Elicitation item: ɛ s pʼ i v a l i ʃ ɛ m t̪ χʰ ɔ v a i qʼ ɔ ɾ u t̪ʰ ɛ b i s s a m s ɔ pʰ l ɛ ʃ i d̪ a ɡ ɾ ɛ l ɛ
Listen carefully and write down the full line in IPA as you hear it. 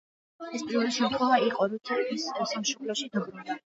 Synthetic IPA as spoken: ɛ s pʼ i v ɛ l i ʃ ɛ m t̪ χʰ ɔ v a i qʼ ɔ ɾ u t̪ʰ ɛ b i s s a m ʃ ɔ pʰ l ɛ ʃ i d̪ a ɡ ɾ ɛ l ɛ